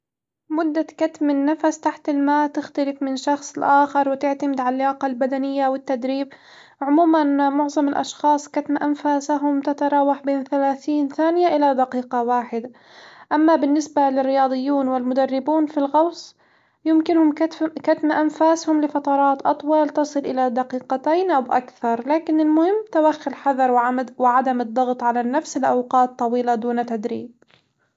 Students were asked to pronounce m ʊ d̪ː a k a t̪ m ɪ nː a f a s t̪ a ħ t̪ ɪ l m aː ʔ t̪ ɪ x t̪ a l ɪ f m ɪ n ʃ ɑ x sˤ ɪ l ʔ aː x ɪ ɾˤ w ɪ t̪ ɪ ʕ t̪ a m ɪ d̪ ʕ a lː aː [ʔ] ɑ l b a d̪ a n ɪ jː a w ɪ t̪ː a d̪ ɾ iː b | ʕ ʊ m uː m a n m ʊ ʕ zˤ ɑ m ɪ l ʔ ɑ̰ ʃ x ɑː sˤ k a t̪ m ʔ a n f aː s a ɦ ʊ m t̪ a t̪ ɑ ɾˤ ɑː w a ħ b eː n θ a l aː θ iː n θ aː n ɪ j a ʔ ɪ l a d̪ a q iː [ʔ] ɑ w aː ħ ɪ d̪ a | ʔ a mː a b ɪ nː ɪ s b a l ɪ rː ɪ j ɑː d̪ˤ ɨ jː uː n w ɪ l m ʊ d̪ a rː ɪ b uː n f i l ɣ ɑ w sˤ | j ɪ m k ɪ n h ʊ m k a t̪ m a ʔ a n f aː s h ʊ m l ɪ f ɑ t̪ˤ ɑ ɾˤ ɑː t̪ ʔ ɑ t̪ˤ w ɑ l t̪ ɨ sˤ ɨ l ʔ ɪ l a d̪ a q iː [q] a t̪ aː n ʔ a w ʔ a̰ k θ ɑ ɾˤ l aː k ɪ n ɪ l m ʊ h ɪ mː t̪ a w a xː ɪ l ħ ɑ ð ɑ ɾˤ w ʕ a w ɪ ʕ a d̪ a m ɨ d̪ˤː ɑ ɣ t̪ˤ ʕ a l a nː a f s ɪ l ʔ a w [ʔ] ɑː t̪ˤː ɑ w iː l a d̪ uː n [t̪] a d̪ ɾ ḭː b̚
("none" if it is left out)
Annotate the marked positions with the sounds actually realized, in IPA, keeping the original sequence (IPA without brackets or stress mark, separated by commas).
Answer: q, q, q, q, t̪